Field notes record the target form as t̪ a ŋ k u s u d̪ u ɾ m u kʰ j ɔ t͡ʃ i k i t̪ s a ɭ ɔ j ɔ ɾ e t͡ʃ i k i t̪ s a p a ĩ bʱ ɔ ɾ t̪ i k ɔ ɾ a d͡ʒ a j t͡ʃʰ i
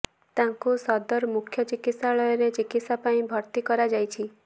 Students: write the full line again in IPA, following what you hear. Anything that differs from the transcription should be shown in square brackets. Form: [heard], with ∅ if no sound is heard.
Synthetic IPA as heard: t̪ a ŋ k u s [ɔ] d̪ [ɔ] ɾ m u kʰ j ɔ t͡ʃ i k i t̪ s a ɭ ɔ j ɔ ɾ e t͡ʃ i k i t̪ s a p a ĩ bʱ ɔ ɾ t̪ i k ɔ ɾ a d͡ʒ a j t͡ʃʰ i